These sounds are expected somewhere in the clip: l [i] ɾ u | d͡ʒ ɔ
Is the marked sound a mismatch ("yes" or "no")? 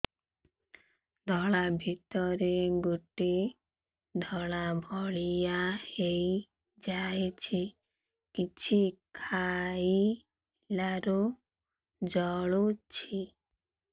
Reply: yes